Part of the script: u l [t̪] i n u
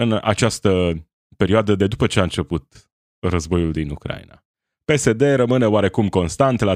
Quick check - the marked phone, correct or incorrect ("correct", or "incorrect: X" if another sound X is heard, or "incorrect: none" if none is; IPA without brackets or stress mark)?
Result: incorrect: d̪